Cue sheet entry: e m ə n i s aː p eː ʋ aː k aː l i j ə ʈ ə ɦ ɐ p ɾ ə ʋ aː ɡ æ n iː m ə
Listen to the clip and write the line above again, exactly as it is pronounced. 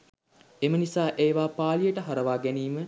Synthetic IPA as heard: e m ə n i s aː ʔ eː ʋ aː p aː l i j ə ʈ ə ɦ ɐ ɾ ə ʋ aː ɡ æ n iː m ə